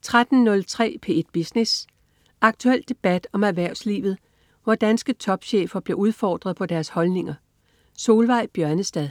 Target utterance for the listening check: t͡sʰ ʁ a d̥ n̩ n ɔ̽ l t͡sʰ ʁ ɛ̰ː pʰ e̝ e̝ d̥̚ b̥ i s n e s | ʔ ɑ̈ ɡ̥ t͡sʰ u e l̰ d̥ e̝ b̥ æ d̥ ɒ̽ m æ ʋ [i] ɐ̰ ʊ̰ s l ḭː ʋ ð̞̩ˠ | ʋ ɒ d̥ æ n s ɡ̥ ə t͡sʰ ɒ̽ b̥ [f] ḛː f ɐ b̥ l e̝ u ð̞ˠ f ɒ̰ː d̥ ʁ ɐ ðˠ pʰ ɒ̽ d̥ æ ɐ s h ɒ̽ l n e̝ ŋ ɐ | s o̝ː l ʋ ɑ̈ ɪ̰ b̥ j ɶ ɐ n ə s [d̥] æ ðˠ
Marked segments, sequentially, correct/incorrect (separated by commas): incorrect, incorrect, correct